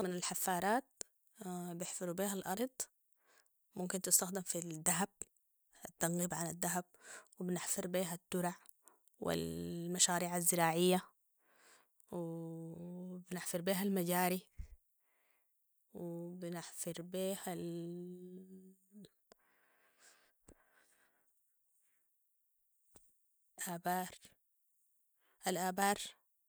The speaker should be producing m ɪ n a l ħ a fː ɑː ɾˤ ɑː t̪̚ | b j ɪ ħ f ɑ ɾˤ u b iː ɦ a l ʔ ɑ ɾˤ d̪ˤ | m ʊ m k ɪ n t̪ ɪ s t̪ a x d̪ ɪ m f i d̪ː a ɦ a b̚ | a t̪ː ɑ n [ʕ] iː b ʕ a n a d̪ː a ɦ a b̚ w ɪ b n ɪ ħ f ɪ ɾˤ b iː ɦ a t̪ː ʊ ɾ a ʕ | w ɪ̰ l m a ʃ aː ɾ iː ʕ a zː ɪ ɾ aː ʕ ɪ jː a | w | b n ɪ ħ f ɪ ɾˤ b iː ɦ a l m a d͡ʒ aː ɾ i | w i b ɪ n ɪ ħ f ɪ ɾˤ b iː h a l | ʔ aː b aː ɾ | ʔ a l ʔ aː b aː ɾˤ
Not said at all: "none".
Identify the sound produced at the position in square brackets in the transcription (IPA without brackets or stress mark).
ɣ